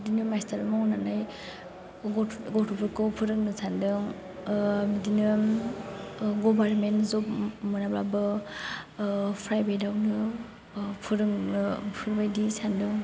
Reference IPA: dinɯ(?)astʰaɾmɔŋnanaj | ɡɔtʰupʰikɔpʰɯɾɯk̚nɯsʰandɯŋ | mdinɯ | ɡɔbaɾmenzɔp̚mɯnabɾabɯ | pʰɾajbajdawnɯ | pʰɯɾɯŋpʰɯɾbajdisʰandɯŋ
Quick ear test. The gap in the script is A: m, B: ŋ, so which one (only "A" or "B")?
A